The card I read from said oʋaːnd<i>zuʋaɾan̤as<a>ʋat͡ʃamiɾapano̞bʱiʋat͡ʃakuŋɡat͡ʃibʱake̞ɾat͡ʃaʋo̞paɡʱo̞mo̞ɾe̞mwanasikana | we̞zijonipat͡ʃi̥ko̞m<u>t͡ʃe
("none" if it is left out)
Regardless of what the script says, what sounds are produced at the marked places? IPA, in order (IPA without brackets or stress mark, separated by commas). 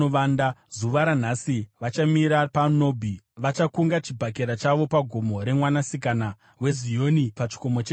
a, i, o